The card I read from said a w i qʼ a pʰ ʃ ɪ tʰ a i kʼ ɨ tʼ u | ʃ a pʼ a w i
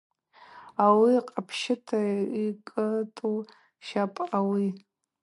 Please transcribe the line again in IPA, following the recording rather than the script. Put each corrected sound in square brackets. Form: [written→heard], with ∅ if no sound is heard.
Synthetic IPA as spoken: a w i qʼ a pʰ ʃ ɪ tʰ a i kʼ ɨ tʼ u | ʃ a pʼ a w i